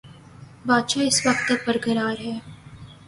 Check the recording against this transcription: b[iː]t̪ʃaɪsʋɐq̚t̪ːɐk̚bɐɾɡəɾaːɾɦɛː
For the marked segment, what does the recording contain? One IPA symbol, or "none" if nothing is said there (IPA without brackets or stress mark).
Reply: aː